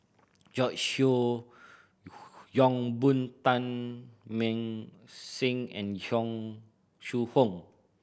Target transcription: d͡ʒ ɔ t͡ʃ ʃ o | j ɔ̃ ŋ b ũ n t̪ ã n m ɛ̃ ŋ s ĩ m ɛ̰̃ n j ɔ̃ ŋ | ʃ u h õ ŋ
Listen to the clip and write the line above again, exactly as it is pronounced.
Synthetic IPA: d͡ʒ ɔ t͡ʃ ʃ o | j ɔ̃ ŋ b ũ n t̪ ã n m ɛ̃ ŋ s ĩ ŋ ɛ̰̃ n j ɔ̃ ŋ | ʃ u h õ ŋ

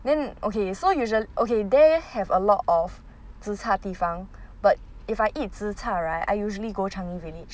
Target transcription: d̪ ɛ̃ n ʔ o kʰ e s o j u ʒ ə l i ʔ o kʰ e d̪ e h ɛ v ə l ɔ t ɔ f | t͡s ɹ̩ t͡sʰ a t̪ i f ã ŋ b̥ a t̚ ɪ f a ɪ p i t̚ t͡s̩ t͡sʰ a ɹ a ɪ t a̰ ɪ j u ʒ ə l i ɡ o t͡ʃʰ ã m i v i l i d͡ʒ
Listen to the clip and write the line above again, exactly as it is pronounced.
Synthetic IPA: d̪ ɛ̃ n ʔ o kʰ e s o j u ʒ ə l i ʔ o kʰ e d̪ e h ɛ v ə l ɔ t ɔ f | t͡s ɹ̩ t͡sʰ a t̪ i f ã ŋ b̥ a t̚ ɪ f a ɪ ʔ i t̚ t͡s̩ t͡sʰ a ɹ a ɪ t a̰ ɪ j u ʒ ə l i ɡ o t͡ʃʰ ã ŋ i v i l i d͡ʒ

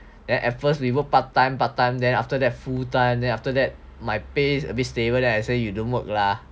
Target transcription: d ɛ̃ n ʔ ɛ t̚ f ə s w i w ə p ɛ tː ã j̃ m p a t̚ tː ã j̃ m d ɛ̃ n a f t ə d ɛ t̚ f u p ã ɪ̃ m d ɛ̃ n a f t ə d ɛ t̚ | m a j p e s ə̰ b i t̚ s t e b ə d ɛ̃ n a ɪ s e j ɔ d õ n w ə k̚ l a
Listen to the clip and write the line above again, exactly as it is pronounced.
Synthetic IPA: d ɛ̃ n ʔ ɛ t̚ f ə s w i w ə p a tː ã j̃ m p a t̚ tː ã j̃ m d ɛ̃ n a f t ə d ɛ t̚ f u t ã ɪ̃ m d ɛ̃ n a f t ə d ɛ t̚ | m a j p e s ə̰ b i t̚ s t e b ə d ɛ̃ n a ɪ s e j u d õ n w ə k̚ l a

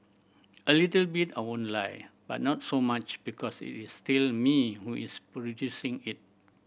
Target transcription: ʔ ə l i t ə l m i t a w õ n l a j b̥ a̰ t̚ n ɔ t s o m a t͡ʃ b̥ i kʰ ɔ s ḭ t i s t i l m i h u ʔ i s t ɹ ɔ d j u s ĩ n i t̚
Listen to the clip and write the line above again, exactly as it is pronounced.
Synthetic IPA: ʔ ə l i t ə l b i t a w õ n l a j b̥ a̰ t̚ n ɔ t s o m a t͡ʃ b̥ i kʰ ɔ s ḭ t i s t i l m i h u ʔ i s p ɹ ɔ d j u s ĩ ŋ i t̚

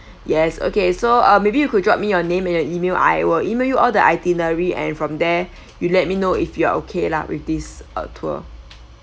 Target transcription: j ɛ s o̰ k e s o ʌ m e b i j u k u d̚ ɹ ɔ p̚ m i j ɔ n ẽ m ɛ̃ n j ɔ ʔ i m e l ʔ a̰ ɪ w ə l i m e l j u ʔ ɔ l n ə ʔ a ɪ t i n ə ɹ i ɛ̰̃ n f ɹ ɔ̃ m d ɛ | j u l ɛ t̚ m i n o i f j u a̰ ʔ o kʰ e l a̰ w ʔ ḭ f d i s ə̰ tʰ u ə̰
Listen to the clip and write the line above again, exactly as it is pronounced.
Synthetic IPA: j ɛ s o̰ k e s o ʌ m e b i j u k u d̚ ɹ ɔ p̚ m i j ɔ n ẽ m ɛ̃ n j ɔ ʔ i m e l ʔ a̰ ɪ w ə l i m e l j u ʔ ɔ l d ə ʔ a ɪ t i n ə ɹ i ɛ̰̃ n f ɹ ɔ̃ m d ɛ | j u l ɛ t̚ m i n o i f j u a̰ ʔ o kʰ e l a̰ w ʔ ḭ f d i s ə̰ tʰ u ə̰

